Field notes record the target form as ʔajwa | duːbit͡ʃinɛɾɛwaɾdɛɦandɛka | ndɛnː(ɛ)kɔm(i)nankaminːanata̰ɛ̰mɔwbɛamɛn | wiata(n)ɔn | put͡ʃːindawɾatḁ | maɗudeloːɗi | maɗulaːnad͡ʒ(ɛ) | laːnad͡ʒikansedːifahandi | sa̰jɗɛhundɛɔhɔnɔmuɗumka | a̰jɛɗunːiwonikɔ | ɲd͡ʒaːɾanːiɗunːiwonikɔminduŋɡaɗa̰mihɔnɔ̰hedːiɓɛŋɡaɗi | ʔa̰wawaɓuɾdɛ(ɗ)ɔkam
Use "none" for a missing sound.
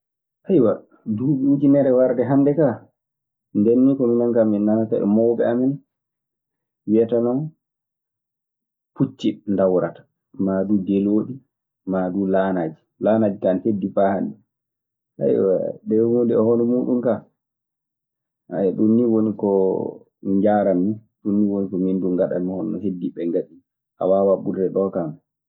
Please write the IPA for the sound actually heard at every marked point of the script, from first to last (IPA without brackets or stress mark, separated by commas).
i, i, n, i, ɗ